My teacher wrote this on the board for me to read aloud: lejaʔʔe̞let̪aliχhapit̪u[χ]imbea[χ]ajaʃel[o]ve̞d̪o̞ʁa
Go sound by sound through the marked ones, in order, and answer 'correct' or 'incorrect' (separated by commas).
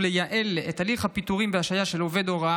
incorrect, incorrect, correct